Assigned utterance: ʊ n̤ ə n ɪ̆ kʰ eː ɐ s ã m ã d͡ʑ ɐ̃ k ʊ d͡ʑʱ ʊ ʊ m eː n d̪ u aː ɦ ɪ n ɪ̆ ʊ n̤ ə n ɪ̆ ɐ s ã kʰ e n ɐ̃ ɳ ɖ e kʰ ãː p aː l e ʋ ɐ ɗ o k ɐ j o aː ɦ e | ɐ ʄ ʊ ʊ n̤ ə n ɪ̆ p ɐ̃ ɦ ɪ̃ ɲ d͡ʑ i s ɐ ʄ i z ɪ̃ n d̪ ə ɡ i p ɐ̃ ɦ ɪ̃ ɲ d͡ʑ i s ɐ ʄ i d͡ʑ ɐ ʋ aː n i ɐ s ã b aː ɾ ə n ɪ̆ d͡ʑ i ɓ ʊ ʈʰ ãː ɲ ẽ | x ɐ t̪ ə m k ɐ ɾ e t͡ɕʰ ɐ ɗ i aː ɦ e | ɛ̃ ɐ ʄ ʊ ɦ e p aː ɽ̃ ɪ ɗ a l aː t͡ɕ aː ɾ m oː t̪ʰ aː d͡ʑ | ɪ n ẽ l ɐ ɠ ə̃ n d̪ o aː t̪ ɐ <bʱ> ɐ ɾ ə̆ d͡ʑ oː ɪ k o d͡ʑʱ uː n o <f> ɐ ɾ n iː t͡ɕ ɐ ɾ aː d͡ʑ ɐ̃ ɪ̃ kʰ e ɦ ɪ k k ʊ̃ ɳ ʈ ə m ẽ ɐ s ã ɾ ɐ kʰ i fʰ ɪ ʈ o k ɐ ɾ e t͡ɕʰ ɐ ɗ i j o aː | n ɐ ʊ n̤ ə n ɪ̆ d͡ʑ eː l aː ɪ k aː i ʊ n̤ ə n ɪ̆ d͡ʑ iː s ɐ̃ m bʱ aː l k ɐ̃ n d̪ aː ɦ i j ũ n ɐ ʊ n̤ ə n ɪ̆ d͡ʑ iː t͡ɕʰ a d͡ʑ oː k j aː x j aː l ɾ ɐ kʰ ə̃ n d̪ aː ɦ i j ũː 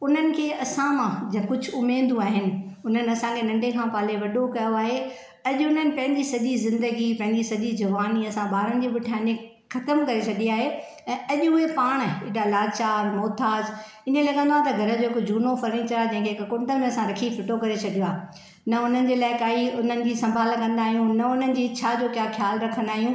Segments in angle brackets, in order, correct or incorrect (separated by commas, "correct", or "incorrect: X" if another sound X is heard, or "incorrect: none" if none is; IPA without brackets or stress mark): incorrect: ɡʱ, correct